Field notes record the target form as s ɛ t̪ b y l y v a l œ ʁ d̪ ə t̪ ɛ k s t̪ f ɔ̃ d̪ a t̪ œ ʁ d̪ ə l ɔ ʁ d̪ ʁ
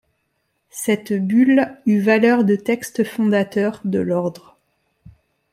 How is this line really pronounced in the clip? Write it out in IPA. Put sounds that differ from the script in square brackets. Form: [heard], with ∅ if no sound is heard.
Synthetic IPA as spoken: s ɛ t̪ b y l y v a l œ ʁ d̪ ə t̪ ɛ k s t̪ f ɔ̃ d̪ a t̪ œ ʁ d̪ ə l ɔ ʁ d̪ ʁ